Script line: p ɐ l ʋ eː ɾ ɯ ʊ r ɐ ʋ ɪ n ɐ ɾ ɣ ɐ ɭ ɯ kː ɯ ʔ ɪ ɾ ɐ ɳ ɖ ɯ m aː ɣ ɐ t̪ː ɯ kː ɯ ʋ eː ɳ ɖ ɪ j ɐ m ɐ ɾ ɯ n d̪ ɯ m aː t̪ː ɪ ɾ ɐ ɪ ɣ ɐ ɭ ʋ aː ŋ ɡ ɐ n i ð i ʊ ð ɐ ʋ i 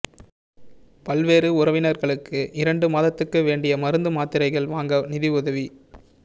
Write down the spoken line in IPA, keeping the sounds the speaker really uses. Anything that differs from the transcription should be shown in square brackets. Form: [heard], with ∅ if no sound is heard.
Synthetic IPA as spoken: p ɐ l ʋ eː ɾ ɯ ʊ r ɐ ʋ ɪ n ɐ ɾ ɣ ɐ ɭ ɯ kː ɯ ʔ ɪ ɾ ɐ ɳ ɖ ɯ m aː [ð] ɐ t̪ː ɯ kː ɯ ʋ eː ɳ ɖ ɪ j ɐ m ɐ ɾ ɯ n d̪ ɯ m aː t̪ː ɪ ɾ ɐ ɪ ɣ ɐ ɭ ʋ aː ŋ ɡ ɐ n [ɪ] ð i ʊ ð ɐ ʋ i